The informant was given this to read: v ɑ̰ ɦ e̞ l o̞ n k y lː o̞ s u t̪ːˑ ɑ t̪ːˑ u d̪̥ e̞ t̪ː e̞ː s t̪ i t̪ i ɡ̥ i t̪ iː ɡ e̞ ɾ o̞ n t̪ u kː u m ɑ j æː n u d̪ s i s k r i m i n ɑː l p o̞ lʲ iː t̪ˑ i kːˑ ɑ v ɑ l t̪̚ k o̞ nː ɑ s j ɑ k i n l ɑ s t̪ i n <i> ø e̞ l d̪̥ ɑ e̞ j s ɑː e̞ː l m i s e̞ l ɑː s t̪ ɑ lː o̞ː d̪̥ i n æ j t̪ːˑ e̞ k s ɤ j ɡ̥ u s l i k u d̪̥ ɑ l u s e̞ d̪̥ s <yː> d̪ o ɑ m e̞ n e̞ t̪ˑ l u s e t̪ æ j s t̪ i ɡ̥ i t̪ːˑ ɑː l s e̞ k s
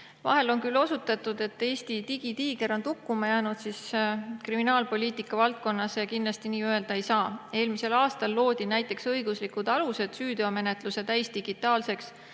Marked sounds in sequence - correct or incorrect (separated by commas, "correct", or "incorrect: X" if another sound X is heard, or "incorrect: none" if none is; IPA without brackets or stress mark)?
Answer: incorrect: iː, correct